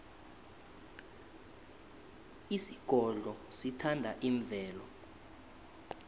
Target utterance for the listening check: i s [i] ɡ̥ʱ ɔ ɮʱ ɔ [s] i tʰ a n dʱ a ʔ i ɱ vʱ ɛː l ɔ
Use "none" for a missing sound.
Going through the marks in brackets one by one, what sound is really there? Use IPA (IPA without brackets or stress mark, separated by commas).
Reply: i, s